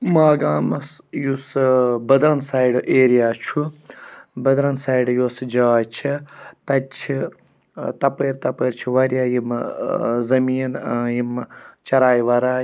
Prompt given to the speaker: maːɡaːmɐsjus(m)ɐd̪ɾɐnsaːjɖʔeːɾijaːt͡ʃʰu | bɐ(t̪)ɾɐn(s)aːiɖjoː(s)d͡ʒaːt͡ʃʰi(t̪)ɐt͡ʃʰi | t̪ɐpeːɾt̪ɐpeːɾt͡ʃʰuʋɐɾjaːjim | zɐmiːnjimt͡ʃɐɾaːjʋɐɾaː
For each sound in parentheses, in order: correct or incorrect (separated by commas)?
incorrect, incorrect, correct, correct, correct